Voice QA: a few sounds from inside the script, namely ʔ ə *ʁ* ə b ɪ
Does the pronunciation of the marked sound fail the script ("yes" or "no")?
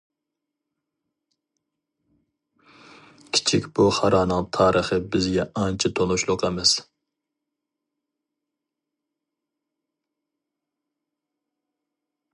yes